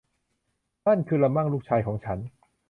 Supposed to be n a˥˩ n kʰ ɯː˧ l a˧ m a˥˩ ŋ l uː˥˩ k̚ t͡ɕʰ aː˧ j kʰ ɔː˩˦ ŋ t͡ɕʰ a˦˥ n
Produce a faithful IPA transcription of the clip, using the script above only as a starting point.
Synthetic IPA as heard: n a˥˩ n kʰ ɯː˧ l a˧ m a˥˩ ŋ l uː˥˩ k̚ t͡ɕʰ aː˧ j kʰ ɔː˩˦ ŋ t͡ɕʰ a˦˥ n